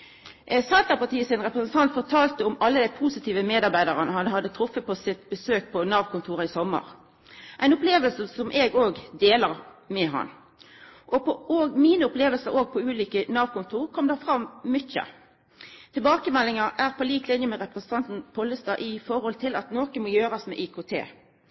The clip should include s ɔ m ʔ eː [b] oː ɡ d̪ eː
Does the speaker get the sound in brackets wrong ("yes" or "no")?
yes